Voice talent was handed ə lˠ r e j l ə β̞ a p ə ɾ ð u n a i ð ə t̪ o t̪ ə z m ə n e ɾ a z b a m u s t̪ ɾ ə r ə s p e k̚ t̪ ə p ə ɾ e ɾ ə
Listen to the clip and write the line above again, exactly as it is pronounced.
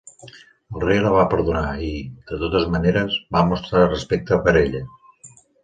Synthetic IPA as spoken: ə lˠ r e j l ə β̞ a p ə ɾ ð u n a i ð ə t̪ o t̪ ə z m ə n e ɾ ə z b a m u s t̪ ɾ a r ə s p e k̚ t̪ ə p ə ɾ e ʎ ə